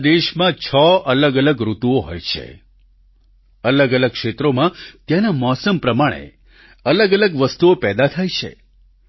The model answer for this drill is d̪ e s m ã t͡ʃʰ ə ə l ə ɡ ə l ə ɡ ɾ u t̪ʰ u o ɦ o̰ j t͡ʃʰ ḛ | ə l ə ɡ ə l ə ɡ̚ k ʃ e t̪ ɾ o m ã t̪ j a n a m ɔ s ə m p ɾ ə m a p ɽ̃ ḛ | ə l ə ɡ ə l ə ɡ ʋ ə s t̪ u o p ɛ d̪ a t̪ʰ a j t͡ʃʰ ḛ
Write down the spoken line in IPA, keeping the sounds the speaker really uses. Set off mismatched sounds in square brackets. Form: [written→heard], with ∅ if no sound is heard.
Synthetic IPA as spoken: d̪ e [s→ʃ] m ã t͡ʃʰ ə ə l ə ɡ ə l ə ɡ ɾ u [t̪ʰ→t̪] u o ɦ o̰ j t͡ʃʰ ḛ | ə l ə ɡ ə l ə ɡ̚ k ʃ e t̪ ɾ o m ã t̪ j a n a m ɔ s ə m p ɾ ə m a [p→∅] ɽ̃ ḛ | ə l ə ɡ ə l ə ɡ ʋ ə s t̪ u o p ɛ d̪ a t̪ʰ a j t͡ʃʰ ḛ